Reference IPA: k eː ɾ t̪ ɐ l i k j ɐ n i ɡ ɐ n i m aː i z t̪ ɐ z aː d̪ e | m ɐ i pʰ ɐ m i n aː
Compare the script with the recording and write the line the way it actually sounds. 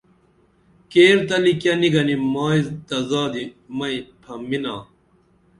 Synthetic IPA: k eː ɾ t̪ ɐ l i k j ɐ n i ɡ ɐ n i m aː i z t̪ ɐ z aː d̪ i | m ɐ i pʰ ɐ m i n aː